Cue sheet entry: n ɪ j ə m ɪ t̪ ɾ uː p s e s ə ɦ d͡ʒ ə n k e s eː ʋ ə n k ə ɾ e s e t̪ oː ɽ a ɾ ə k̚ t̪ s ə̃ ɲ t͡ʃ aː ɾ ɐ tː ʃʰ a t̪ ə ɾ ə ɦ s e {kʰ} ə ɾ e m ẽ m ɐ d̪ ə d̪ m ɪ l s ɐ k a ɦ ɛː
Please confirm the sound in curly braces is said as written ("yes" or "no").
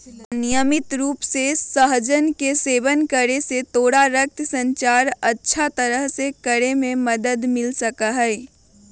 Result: no